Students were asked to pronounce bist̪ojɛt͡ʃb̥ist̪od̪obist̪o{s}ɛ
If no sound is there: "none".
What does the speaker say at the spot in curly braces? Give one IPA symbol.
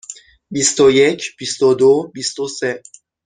s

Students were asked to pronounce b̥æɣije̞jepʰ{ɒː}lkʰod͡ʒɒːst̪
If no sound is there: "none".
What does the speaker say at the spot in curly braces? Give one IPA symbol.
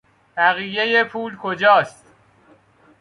uː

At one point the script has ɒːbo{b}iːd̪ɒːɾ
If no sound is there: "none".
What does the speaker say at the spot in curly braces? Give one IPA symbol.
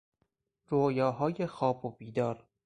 b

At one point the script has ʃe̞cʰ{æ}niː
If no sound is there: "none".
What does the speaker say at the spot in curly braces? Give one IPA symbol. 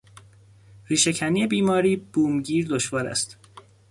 æ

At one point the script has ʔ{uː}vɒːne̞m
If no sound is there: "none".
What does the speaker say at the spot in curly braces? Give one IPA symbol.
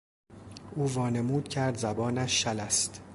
uː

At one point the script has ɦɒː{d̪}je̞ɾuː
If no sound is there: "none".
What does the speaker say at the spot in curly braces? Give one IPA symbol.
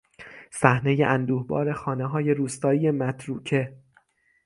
none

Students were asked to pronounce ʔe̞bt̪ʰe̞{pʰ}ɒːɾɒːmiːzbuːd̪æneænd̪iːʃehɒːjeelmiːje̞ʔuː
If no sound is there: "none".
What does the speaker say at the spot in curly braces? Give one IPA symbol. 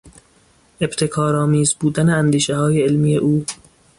kʰ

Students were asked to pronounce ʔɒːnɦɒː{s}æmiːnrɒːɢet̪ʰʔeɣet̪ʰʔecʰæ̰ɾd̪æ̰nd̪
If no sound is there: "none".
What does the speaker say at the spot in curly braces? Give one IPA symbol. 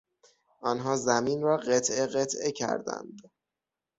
z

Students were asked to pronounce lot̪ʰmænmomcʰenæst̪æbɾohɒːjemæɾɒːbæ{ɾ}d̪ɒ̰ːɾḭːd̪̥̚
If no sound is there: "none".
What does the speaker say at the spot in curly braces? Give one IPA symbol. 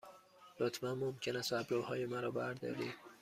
ɾ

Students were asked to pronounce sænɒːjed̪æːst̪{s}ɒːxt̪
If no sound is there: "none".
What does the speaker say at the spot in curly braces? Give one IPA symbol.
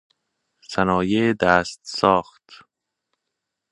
s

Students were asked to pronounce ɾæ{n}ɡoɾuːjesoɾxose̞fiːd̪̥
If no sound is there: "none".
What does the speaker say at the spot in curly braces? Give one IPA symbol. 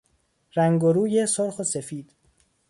ŋ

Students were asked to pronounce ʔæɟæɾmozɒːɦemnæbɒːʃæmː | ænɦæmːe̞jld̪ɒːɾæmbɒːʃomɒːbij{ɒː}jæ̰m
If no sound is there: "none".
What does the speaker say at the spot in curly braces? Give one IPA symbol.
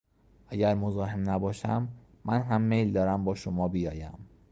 ɒː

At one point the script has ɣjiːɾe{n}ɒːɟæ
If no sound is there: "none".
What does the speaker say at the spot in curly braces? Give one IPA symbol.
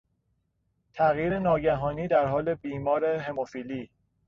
n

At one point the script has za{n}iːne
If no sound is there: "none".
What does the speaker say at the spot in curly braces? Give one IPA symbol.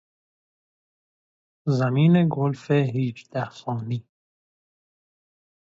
m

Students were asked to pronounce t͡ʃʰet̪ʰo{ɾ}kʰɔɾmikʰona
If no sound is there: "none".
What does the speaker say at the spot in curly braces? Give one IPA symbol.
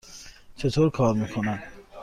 ɾ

